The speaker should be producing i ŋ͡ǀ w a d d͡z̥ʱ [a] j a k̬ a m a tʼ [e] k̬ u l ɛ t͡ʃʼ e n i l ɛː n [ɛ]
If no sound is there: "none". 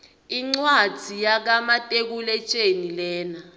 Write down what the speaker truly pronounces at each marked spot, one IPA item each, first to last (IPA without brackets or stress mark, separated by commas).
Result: i, e, a